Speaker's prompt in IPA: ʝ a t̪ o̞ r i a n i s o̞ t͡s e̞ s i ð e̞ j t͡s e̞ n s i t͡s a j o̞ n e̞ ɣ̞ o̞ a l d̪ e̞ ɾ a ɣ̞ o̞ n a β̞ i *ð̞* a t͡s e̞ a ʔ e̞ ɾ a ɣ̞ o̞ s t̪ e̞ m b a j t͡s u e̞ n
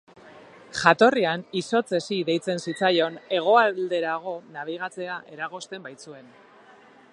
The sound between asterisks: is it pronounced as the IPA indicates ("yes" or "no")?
no